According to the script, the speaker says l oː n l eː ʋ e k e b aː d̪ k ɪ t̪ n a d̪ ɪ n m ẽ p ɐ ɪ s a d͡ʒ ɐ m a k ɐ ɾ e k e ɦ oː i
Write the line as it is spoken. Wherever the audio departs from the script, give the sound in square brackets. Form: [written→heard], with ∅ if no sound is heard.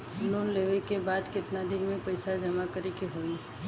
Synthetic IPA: l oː n l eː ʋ e k e b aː d̪ k ɪ t̪ n a d̪ ɪ n m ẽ p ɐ ɪ s a d͡ʒ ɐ m a k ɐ ɾ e k e ɦ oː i